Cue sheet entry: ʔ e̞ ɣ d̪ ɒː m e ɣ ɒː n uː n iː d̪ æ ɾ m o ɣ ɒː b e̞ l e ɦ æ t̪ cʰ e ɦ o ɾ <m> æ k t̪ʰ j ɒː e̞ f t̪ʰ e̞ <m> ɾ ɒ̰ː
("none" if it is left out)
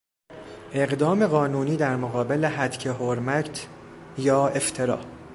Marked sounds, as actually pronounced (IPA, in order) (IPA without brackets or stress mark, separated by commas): m, none